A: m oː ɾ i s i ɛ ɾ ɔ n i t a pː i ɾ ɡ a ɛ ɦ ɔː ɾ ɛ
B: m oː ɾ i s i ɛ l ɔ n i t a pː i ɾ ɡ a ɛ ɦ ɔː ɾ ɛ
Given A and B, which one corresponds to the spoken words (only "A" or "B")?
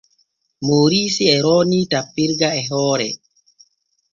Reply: A